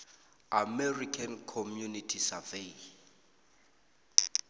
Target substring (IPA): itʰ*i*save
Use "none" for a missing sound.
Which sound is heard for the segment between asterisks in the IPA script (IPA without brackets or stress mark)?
i